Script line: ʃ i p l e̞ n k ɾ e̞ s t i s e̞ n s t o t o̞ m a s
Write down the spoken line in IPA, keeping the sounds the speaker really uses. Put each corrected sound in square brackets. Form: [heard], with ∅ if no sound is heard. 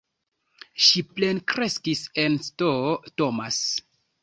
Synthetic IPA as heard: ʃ i p l e̞ n k ɾ e̞ s [k] i s e̞ n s t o t o̞ m a s